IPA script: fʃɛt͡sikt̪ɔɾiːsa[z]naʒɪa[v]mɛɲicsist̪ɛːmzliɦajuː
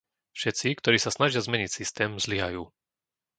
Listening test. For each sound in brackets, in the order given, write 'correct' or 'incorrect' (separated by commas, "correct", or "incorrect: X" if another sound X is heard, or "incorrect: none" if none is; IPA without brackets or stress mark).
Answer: incorrect: s, incorrect: z